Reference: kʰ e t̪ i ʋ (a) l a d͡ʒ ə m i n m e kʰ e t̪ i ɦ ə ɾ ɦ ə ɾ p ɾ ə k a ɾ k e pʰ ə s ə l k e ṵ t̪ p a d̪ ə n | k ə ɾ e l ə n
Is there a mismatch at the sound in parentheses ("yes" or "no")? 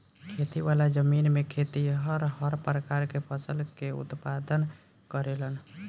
no